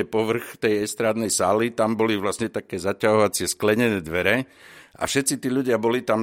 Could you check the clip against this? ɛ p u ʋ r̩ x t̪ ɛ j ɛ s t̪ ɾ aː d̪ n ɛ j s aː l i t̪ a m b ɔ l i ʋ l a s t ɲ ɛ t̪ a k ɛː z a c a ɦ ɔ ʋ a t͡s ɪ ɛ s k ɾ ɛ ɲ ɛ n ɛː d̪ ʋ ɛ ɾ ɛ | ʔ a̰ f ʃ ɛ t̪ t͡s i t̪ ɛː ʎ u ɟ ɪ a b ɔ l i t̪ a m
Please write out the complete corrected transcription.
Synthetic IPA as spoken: ɛ p ɔ ʋ r̩ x t̪ ɛ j ɛ s t̪ ɾ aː d̪ n ɛ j s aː l i t̪ a m b ɔ l i ʋ l a s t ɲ ɛ t̪ a k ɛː z a c a ɦ ɔ ʋ a t͡s ɪ ɛ s k l ɛ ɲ ɛ n ɛː d̪ ʋ ɛ ɾ ɛ | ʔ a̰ f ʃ ɛ t̪ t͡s i t̪ iː ʎ u ɟ ɪ a b ɔ l i t̪ a m